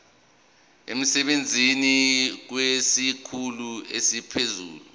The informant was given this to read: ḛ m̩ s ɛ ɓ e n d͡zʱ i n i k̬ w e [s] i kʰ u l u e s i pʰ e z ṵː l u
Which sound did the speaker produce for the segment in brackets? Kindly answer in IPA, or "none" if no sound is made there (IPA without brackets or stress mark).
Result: s